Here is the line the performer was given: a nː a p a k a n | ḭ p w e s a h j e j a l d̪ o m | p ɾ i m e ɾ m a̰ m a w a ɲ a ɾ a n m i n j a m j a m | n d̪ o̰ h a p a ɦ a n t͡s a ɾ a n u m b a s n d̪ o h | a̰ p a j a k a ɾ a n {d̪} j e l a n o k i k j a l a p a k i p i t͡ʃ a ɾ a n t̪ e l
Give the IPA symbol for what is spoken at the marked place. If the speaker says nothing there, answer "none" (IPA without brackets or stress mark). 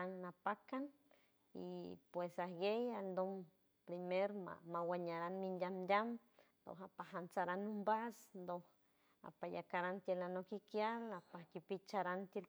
t̪